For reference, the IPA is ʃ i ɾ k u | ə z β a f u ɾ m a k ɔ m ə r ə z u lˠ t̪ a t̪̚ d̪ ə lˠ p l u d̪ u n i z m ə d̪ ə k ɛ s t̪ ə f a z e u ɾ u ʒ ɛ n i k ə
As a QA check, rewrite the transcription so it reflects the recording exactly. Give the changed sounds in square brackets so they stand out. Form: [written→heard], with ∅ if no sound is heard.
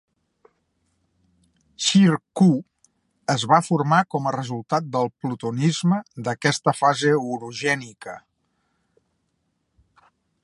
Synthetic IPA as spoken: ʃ i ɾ k u | ə z β a f u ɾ m a k ɔ m ə r ə z u lˠ t̪ a t̪̚ d̪ ə lˠ p l u [d̪→t̪] u n i z m ə d̪ ə k ɛ s t̪ ə f a z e u ɾ u ʒ ɛ n i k ə